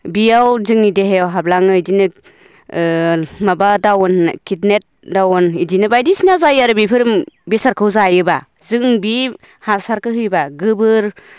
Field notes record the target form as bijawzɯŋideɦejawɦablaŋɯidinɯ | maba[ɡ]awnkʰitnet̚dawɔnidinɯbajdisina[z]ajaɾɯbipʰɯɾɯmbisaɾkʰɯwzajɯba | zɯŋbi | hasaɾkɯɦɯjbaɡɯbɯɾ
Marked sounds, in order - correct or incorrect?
incorrect: d, correct

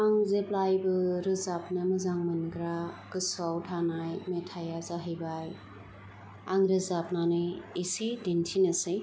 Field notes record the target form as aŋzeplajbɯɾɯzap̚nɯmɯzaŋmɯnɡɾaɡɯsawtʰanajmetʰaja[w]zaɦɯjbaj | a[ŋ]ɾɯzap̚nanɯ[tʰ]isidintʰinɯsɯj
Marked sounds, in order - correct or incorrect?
incorrect: none, correct, incorrect: none

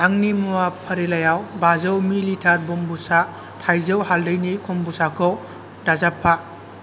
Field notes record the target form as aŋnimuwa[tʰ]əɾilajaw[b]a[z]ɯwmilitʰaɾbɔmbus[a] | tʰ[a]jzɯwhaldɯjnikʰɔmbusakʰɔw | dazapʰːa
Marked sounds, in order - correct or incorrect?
incorrect: pʰ, correct, correct, correct, correct

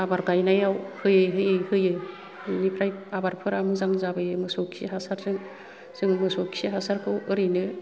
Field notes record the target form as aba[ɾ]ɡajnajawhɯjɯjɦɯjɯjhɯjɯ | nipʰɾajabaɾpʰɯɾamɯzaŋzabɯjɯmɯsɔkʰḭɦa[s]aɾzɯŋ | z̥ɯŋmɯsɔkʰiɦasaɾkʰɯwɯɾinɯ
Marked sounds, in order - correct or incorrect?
correct, correct

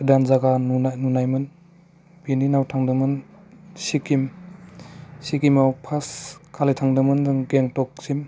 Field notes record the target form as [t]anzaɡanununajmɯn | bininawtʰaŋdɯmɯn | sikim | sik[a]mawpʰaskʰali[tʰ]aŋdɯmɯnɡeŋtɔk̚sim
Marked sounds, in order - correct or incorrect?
incorrect: d, incorrect: i, correct

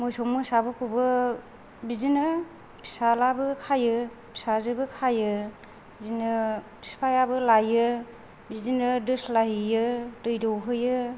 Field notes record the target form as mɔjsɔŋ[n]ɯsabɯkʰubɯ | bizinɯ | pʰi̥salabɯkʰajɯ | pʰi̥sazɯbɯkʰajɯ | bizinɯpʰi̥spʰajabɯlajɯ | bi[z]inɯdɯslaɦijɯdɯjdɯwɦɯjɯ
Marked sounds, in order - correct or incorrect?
incorrect: m, correct

